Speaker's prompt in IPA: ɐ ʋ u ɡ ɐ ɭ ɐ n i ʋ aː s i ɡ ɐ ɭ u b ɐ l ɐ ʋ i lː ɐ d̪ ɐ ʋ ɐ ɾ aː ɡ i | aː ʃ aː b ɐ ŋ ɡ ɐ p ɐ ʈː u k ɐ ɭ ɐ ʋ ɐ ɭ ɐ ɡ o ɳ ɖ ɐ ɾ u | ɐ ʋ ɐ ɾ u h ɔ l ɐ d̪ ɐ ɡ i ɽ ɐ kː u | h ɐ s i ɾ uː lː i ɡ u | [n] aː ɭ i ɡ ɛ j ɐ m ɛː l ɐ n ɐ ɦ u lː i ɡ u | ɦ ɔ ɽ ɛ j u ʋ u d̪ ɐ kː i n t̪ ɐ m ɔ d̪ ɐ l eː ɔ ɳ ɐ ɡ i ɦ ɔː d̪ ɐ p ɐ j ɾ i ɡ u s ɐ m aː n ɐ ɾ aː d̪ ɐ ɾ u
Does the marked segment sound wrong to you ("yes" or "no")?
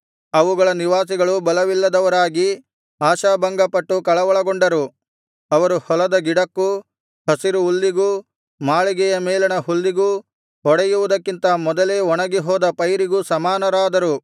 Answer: yes